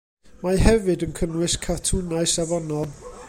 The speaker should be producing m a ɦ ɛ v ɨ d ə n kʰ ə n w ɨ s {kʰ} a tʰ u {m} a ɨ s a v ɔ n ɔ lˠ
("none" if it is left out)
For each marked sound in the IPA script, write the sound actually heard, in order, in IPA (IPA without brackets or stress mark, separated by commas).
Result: kʰ, n